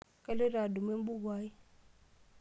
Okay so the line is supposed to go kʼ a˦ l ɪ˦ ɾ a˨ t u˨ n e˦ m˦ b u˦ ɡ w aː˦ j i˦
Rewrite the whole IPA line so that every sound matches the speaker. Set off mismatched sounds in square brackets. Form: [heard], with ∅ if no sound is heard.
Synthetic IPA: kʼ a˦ l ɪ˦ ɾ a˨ [d] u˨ [m] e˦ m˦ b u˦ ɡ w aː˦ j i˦